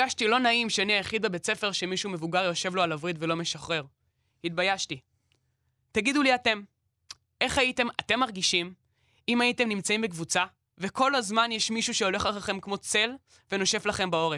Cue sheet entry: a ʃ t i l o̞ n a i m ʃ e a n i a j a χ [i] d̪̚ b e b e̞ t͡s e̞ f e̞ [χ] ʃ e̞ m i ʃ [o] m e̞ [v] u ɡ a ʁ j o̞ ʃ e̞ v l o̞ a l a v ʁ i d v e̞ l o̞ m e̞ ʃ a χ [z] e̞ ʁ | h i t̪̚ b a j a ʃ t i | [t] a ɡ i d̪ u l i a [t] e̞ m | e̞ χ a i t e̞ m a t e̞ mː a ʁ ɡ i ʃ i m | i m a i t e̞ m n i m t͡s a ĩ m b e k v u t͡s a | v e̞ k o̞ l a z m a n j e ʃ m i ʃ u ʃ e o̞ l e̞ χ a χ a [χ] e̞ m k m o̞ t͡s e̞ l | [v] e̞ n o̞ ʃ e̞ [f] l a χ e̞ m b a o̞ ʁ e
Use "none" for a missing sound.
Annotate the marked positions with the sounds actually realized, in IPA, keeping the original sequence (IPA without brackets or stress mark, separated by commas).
i, ʁ, u, v, ʁ, t, t, χ, v, f